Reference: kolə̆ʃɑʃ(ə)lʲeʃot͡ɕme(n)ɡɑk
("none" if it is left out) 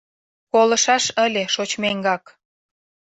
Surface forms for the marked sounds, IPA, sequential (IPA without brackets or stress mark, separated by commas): ə, ŋ